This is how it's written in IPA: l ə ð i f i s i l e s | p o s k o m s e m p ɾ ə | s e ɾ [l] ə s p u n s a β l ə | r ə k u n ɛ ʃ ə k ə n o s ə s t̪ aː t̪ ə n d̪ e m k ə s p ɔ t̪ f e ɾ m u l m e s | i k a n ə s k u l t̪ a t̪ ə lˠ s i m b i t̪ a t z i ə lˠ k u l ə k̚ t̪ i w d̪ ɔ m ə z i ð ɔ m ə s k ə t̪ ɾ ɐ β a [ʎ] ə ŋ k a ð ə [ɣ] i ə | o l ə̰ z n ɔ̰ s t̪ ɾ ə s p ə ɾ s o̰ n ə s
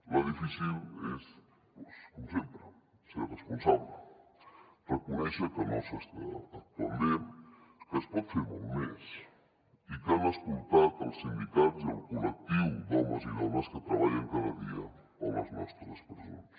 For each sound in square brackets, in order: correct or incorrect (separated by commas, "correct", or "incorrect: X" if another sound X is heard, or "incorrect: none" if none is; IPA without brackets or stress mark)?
incorrect: r, correct, incorrect: ð